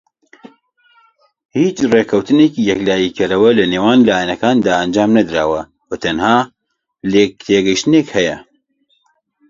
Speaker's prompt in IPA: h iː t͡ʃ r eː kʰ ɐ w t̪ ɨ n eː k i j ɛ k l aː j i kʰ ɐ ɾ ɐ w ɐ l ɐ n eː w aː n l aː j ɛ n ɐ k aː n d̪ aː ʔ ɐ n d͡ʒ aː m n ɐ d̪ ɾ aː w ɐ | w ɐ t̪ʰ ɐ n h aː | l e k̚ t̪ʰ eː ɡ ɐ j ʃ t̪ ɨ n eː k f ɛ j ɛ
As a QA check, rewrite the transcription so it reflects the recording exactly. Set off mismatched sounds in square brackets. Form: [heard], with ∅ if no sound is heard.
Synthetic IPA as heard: h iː t͡ʃ r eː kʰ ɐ w t̪ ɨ n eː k i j ɛ k l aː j i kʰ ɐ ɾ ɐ w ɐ l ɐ n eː w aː n l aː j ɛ n ɐ k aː n d̪ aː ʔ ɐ n d͡ʒ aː m n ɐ d̪ ɾ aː w ɐ | w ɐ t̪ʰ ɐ n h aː | l e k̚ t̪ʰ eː ɡ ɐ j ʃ t̪ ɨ n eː k [h] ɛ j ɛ